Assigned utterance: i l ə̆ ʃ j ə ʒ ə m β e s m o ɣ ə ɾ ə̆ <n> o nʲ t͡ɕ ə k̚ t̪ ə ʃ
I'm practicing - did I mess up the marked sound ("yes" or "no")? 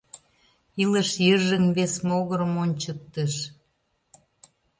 yes